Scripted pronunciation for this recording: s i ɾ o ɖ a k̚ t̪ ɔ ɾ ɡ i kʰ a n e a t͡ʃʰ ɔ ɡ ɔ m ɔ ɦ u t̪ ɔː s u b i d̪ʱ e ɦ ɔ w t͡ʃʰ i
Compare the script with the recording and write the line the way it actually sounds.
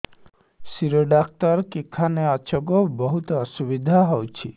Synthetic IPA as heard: s i ɾ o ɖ a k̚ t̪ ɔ ɾ k i kʰ a n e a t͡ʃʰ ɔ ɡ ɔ b ɔ ɦ u t̪ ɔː s u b i d̪ʱ a ɦ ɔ w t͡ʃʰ i